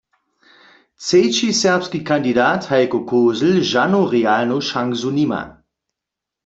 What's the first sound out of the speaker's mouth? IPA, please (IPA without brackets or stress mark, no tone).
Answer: t͡s